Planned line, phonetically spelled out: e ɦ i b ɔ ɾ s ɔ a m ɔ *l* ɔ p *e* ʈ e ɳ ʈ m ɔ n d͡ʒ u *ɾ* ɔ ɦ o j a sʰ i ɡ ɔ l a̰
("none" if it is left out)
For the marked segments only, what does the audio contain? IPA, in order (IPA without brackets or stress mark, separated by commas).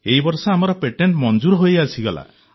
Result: ɾ, e, ɾ